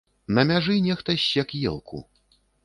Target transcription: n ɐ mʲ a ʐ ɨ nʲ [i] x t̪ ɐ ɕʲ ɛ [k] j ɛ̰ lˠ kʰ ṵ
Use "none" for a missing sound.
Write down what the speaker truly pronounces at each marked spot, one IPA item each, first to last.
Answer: ɛ, k

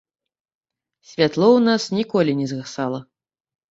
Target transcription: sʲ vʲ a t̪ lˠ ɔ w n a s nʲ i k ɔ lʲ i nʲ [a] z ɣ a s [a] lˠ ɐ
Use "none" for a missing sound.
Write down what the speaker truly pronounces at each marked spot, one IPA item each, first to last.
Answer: ɛ, a

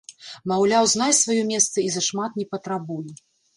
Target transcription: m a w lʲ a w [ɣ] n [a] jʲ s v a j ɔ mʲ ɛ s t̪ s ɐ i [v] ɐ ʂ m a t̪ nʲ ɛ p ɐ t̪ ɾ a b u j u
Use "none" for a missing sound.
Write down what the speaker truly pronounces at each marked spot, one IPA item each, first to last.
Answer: z, a, z

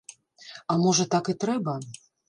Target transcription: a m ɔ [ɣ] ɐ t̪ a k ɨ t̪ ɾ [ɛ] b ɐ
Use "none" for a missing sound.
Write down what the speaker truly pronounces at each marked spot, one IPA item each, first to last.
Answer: ʐ, ɛ

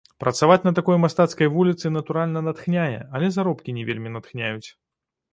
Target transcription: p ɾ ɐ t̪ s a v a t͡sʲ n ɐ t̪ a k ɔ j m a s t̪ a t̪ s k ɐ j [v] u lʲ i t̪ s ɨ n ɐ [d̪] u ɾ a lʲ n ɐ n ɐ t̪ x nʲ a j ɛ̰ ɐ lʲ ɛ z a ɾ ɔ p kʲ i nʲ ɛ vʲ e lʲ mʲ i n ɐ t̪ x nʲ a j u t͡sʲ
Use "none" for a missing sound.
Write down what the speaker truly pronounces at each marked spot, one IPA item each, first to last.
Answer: v, t̪

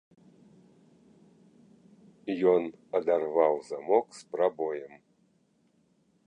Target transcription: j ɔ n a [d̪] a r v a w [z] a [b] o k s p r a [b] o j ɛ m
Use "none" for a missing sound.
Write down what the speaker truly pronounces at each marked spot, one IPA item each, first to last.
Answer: d̪, z, m, b

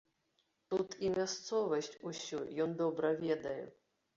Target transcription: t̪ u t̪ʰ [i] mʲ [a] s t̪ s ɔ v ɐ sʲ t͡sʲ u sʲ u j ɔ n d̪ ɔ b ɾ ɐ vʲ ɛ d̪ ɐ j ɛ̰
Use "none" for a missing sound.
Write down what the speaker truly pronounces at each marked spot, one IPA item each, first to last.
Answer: i, a

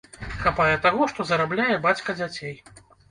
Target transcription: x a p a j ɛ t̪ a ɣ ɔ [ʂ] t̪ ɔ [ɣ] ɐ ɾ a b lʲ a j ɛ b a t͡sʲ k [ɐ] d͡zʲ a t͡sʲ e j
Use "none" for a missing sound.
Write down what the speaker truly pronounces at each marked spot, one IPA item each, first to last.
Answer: ʂ, z, ɐ

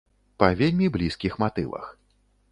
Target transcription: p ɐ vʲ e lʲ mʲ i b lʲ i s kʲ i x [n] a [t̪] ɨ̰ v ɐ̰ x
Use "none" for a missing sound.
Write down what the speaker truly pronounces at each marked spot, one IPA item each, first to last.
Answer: m, t̪

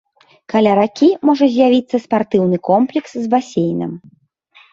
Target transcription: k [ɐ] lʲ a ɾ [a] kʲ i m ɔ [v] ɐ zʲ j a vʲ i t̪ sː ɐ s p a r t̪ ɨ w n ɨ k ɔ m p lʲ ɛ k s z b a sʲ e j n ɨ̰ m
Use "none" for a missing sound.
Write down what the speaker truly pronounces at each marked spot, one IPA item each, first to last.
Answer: a, a, ʐ

